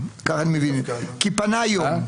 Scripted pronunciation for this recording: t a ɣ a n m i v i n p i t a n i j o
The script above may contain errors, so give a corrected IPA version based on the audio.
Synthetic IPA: k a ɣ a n m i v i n k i p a n a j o